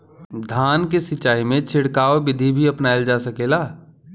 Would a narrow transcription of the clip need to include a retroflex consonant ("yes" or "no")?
yes